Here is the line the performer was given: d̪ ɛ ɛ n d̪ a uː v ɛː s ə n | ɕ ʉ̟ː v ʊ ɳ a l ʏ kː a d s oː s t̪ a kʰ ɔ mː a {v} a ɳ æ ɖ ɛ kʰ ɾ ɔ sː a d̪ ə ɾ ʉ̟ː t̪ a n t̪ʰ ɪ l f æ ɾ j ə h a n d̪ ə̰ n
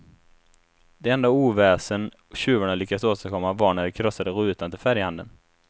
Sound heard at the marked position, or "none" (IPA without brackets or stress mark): v